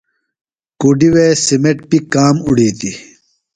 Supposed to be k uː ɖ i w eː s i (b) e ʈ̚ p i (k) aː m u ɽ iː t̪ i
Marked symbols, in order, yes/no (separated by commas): no, yes